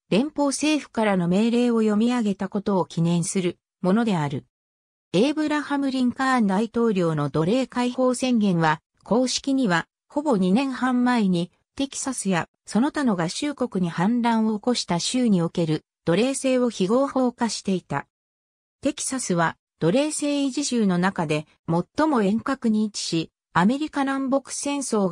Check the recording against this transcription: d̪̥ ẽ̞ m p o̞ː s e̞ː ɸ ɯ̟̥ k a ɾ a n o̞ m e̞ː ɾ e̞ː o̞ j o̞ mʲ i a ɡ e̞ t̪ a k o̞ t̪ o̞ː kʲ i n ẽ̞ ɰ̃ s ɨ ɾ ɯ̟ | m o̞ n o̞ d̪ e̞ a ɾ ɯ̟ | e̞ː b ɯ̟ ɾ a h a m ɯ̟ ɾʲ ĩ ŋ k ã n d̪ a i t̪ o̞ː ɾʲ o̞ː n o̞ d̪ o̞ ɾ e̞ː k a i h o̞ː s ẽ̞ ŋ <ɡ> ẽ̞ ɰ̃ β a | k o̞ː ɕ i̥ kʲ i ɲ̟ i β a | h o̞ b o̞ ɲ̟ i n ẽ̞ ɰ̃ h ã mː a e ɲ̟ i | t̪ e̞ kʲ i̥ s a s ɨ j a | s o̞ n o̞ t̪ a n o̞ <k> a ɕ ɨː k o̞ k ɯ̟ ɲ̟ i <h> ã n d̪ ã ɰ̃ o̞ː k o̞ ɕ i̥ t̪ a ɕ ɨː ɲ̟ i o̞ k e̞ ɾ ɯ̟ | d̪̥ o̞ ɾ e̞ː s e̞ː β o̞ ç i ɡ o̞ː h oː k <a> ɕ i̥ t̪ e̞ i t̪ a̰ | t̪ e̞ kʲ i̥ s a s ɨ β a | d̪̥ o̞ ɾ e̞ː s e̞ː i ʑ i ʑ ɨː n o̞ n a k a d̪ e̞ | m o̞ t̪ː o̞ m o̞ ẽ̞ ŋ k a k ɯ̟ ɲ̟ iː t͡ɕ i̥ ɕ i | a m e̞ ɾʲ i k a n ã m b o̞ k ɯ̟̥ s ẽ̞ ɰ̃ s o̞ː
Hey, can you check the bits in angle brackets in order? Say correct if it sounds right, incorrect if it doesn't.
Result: correct, incorrect, correct, correct

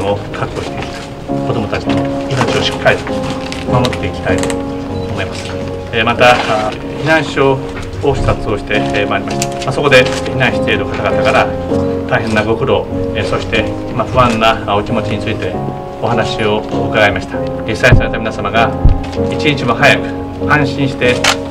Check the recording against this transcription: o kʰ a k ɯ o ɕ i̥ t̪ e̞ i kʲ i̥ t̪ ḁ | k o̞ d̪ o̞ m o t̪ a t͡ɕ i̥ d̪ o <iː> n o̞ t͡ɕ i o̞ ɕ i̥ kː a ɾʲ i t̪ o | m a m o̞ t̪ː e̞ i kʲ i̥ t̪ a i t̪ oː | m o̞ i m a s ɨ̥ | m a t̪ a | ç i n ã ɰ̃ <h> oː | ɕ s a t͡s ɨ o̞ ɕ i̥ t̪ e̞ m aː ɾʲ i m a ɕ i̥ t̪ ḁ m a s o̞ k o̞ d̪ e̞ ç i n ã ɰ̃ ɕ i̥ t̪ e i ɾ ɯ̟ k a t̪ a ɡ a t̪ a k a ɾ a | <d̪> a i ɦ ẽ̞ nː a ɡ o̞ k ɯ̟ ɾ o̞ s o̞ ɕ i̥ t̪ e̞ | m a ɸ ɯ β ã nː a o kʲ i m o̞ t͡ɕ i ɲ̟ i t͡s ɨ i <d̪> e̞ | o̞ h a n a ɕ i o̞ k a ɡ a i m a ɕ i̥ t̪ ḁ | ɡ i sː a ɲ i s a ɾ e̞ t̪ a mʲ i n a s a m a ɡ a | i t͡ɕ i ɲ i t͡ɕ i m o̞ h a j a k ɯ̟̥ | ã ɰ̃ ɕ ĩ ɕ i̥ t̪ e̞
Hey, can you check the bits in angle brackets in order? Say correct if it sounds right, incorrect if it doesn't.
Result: incorrect, incorrect, incorrect, incorrect

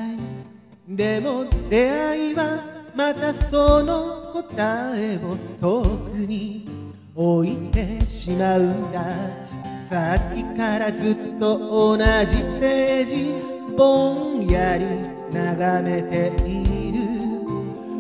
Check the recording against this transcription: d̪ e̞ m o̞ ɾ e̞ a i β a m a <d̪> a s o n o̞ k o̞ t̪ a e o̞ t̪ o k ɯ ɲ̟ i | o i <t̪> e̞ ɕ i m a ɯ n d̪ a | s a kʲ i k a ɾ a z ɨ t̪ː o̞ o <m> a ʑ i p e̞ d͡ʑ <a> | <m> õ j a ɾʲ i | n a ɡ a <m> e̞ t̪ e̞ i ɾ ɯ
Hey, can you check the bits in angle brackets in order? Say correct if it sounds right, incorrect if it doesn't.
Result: incorrect, correct, incorrect, incorrect, incorrect, correct

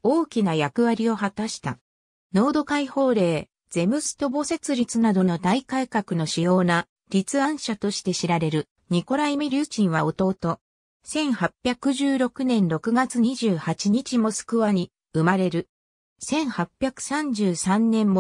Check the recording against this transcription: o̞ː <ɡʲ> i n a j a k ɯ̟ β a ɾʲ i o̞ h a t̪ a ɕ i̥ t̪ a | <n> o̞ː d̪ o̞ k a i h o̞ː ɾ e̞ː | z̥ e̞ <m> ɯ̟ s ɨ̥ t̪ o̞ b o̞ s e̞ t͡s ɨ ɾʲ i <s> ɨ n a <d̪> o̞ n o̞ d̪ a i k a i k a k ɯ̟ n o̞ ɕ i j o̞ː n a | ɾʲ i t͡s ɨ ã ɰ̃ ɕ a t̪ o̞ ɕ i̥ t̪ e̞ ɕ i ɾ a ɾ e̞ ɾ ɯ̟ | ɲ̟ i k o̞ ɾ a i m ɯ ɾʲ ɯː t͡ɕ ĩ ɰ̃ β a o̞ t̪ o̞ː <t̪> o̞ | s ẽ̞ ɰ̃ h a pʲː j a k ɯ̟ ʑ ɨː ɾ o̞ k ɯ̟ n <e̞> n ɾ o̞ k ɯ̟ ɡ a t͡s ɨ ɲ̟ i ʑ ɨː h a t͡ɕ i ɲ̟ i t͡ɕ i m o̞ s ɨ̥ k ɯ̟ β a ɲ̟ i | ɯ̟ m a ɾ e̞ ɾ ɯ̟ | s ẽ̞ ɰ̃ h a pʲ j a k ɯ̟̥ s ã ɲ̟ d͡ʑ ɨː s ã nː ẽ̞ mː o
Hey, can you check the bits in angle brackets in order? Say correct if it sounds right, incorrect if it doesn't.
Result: incorrect, correct, correct, incorrect, correct, correct, incorrect

